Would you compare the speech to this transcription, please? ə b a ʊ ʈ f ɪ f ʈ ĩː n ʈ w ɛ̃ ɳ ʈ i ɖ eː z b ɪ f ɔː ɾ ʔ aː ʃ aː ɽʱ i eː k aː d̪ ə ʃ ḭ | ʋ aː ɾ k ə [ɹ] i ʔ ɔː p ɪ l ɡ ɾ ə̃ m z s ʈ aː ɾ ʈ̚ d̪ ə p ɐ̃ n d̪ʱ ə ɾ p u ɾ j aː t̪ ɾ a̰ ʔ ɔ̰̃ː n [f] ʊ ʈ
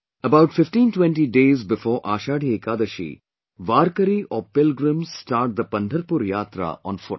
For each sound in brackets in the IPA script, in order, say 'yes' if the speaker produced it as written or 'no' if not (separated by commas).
no, yes